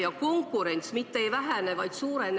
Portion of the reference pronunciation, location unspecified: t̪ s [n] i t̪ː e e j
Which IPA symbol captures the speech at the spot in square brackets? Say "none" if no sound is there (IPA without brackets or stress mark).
m